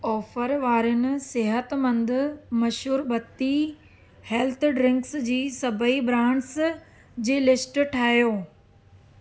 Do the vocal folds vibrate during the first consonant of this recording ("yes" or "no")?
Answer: no